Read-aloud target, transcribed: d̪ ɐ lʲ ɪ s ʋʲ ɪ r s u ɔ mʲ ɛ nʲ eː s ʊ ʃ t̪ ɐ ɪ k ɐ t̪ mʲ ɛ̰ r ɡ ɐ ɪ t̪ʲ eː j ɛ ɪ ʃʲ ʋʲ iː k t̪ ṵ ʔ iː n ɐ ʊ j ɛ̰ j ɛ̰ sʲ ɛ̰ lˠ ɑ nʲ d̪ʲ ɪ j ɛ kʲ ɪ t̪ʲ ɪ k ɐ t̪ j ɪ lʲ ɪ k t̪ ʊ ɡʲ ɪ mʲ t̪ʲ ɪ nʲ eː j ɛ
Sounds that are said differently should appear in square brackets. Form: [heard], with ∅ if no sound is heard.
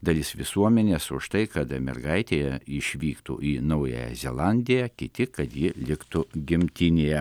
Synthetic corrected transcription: d̪ ɐ lʲ ɪ s ʋʲ ɪ [∅] s u ɔ mʲ ɛ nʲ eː s ʊ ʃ t̪ ɐ ɪ k ɐ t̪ mʲ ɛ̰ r ɡ ɐ ɪ t̪ʲ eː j ɛ ɪ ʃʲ ʋʲ iː k t̪ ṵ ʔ iː n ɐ ʊ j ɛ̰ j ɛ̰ [zʲ] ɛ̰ lˠ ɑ nʲ d̪ʲ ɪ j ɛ kʲ ɪ t̪ʲ ɪ k ɐ t̪ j ɪ lʲ ɪ k t̪ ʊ ɡʲ ɪ mʲ t̪ʲ ɪ nʲ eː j ɛ